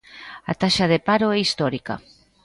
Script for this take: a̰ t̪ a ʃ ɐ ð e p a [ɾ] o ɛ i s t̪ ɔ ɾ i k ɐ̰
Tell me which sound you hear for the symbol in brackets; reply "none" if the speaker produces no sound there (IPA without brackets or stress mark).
ɾ